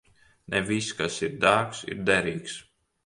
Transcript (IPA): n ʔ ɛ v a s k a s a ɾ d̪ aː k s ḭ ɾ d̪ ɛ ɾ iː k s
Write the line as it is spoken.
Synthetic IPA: n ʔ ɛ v i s k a s i ɾ d̪ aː k s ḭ ɾ d̪ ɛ ɾ iː k s